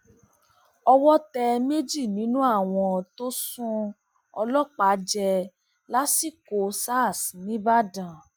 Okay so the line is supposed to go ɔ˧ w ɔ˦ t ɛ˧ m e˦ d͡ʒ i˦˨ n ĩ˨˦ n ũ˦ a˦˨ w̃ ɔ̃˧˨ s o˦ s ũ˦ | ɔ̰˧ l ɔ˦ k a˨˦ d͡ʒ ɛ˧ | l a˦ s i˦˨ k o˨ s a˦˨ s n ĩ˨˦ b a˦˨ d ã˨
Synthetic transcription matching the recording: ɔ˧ w ɔ˦ t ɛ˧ m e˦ d͡ʒ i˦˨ n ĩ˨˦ n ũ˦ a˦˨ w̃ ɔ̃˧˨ t o˦ s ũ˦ | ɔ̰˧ l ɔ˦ k͡p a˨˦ d͡ʒ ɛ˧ | l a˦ s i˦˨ k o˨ s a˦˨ s n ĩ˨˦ b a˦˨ d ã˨